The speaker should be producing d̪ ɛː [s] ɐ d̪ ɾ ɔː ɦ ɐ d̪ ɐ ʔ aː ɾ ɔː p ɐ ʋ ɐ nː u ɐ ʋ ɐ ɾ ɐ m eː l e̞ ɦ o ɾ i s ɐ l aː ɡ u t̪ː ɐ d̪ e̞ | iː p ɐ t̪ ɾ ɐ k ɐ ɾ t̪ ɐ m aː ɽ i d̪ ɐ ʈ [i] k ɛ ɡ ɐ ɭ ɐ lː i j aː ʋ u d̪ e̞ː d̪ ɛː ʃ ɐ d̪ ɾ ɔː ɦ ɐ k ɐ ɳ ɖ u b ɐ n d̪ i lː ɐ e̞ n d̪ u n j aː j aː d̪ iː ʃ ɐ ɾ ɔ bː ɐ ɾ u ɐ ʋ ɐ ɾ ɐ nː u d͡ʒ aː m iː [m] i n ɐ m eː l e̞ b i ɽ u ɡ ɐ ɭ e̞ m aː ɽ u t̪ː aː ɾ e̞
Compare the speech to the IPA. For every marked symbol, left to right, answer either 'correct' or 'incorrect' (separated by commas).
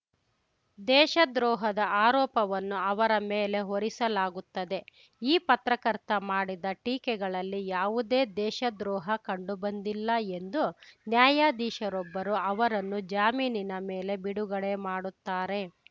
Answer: incorrect, incorrect, incorrect